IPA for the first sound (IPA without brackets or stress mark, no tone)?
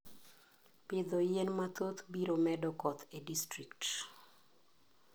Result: p